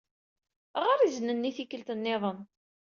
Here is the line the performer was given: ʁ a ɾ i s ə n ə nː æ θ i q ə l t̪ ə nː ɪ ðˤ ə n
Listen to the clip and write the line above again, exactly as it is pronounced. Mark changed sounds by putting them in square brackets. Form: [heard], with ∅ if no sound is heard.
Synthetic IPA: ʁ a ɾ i [z] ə n ə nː [i] θ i [k] ə l t̪ ə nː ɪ ðˤ ə n

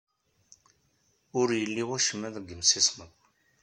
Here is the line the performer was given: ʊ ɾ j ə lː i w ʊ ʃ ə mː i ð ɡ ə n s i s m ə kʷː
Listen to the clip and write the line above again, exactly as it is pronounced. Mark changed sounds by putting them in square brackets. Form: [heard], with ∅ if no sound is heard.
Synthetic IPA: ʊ ɾ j ə lː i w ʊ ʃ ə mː [æ] ð ɡ ə [m] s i s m ə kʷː

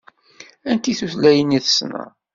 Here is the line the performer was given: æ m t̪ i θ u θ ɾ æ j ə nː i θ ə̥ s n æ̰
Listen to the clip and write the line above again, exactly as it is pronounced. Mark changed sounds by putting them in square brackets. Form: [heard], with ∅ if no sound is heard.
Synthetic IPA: æ [n] t̪ i θ u θ [l] æ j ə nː i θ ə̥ s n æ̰

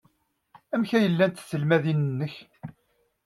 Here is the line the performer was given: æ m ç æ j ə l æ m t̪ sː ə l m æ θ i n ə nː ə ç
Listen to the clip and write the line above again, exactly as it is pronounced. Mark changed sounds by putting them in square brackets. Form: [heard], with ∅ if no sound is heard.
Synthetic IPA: æ m ç æ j ə [lː] æ [n] t̪ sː ə l m æ [ð] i n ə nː ə ç

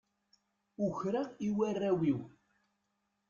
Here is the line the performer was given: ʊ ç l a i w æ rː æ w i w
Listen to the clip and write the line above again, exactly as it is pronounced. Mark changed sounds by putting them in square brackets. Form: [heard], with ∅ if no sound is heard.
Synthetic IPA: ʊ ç [ɾ] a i w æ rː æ w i w

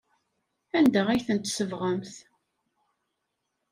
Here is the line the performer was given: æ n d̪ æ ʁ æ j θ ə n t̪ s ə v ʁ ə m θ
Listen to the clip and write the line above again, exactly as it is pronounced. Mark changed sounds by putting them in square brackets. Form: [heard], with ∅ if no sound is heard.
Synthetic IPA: æ n d̪ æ ʁ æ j θ ə n t̪ s ə v ʁ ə m θ

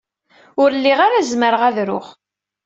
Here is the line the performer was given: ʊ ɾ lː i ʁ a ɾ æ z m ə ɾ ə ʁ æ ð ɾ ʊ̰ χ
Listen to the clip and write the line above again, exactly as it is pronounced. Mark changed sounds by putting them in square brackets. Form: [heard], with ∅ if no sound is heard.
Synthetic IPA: ʊ ɾ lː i ʁ a ɾ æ z m ə ɾ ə ʁ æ ð ɾ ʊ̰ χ

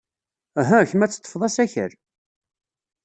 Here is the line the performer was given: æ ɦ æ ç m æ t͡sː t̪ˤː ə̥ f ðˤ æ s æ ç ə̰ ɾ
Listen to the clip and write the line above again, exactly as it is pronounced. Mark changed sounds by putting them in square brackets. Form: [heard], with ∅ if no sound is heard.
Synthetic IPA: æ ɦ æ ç m æ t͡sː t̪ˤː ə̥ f ðˤ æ s æ ç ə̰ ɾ

